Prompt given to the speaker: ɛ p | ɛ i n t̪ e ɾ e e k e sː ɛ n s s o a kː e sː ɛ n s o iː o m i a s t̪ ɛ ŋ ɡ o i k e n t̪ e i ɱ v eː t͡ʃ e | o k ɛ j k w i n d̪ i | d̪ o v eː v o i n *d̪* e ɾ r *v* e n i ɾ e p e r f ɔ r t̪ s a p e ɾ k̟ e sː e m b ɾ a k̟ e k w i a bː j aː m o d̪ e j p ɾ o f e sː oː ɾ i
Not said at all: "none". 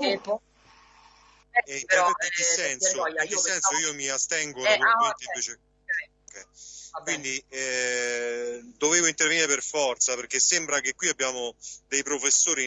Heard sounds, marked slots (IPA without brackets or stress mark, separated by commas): t̪, v